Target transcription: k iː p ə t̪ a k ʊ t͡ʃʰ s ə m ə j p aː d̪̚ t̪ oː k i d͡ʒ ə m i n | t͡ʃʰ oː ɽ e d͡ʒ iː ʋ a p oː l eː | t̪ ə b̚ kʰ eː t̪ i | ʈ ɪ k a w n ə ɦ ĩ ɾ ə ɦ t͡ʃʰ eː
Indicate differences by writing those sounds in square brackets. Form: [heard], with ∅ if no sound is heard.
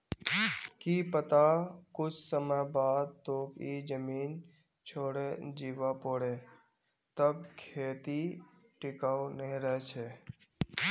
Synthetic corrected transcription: k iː p ə t̪ a k ʊ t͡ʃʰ s ə m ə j [b] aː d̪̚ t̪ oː k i d͡ʒ ə m [iː] n | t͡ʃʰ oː ɽ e d͡ʒ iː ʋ a p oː [ɽ] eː | t̪ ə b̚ kʰ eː t̪ i | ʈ ɪ k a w n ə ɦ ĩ ɾ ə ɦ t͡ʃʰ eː